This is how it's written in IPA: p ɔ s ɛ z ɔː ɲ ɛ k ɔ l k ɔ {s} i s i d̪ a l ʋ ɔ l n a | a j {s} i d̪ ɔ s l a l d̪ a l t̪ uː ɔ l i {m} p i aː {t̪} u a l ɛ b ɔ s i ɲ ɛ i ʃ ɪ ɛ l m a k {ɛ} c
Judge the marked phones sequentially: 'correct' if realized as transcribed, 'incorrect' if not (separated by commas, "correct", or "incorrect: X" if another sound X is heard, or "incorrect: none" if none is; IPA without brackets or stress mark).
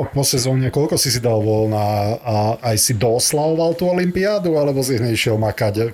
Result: correct, correct, correct, incorrect: d̪, incorrect: a